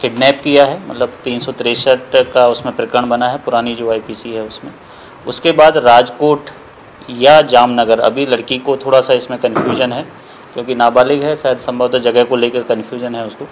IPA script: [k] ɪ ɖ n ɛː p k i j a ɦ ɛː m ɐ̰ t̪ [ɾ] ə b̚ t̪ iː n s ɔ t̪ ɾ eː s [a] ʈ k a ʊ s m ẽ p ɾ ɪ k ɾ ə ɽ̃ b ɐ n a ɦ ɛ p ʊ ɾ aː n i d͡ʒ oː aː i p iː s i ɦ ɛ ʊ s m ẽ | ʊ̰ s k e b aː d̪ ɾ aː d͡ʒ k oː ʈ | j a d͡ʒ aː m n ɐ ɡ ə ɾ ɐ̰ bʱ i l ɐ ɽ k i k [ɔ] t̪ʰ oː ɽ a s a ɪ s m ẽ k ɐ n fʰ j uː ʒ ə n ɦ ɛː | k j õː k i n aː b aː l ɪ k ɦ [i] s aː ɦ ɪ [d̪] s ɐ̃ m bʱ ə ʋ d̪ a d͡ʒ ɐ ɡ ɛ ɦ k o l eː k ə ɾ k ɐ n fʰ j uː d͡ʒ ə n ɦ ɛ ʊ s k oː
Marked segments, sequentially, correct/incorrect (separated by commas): correct, incorrect, incorrect, incorrect, incorrect, correct